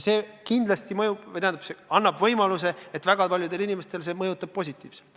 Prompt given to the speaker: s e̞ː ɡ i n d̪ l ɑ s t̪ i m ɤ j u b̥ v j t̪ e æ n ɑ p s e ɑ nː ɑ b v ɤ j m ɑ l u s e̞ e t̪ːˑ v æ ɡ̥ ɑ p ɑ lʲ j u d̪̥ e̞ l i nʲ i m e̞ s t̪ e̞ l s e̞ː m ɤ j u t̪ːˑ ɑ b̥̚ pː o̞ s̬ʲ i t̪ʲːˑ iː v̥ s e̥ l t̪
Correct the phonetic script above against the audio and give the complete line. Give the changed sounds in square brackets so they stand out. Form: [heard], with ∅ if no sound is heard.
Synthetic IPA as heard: s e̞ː [k] i n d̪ l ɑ s t̪ i m ɤ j u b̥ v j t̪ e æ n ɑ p s e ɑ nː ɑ b v ɤ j m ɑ l u s e̞ e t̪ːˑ v æ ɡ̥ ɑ p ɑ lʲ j u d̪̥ e̞ l i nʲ i m e̞ s t̪ e̞ l s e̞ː m ɤ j u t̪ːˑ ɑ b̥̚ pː o̞ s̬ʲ i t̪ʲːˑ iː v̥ s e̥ l t̪